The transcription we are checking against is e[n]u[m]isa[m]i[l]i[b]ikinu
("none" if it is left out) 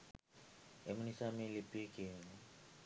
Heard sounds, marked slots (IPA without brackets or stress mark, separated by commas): m, n, m, l, p